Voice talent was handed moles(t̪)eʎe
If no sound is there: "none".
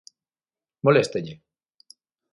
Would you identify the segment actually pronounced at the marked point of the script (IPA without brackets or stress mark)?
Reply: t̪